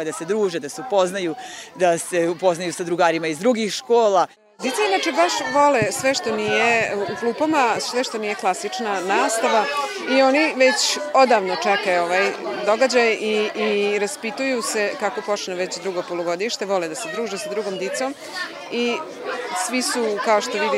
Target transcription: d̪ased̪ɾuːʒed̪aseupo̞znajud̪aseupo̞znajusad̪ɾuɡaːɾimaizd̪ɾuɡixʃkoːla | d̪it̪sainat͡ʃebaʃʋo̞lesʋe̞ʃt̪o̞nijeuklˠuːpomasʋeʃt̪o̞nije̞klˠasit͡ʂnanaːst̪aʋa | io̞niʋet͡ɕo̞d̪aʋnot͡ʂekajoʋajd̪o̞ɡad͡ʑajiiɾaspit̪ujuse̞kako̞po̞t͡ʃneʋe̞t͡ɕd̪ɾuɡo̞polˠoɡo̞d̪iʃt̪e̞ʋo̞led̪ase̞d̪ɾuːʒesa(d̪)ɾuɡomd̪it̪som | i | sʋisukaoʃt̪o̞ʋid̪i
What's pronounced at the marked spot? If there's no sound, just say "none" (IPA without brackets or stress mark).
d̪